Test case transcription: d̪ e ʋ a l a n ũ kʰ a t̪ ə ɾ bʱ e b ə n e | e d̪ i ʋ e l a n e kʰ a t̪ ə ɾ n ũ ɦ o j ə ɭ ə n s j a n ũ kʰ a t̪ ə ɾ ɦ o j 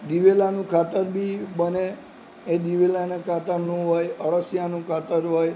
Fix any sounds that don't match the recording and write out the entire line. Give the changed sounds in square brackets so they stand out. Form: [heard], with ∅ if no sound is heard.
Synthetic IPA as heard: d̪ [i] ʋ [e] l a n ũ kʰ a t̪ ə ɾ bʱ [i] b ə n e | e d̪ i ʋ e l a n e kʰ a t̪ ə ɾ n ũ ɦ o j ə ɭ ə [∅] s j a n ũ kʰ a t̪ ə ɾ ɦ o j